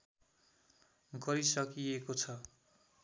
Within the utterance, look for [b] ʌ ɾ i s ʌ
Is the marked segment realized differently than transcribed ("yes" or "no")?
yes